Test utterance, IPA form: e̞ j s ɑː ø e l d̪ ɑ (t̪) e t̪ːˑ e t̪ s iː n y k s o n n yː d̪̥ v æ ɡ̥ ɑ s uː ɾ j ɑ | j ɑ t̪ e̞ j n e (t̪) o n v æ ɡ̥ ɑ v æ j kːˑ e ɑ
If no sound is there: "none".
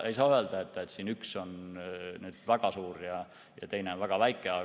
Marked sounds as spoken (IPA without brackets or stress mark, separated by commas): none, none